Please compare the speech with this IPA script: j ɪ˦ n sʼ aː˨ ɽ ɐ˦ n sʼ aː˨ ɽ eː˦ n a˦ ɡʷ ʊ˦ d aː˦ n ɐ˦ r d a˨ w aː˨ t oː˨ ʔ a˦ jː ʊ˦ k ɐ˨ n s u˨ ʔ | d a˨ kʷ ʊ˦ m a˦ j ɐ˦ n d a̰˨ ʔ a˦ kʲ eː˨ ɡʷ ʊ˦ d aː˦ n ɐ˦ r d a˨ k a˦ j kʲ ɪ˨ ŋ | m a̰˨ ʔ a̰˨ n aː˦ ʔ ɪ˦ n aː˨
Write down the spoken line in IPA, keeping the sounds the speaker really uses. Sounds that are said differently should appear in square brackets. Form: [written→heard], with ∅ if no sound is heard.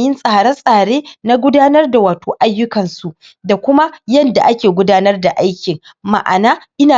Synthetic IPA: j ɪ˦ n sʼ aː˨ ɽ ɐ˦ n sʼ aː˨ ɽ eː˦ n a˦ ɡʷ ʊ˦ d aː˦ n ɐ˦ r d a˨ w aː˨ t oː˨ ʔ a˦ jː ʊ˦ k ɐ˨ n s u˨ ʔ | d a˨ kʷ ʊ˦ m a˦ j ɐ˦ n d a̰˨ ʔ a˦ kʲ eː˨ ɡʷ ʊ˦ d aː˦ n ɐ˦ r d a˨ [k→ʔ] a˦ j kʲ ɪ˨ ŋ | m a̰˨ ʔ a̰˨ n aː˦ ʔ ɪ˦ n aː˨